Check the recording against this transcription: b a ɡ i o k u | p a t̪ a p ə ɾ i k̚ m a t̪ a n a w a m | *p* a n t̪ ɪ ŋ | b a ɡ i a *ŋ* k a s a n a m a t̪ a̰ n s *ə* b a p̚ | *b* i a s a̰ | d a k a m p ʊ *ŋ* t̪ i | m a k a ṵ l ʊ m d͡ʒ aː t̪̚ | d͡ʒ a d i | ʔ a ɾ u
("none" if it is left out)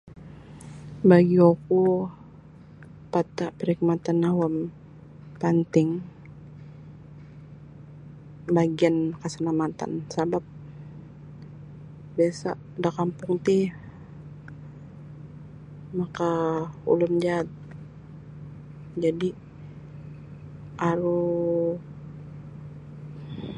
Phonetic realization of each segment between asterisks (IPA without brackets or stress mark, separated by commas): p, n, a, b, ŋ